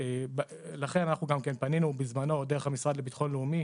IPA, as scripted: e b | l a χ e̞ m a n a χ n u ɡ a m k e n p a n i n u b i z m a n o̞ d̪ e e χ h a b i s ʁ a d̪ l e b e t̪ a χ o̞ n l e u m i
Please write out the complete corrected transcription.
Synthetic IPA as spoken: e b | l a χ e̞ n a n a χ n u ɡ a m k e n p a n i n u b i z m a n o̞ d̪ e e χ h a m i s ʁ a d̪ l e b i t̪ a χ o̞ n l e u m i